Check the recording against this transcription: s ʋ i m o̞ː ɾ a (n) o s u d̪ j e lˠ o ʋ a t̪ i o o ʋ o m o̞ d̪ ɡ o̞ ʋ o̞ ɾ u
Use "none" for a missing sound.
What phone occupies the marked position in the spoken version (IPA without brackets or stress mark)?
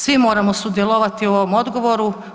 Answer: m